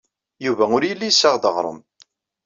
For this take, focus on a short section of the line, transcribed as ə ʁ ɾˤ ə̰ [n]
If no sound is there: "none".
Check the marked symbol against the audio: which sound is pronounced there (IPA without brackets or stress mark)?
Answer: m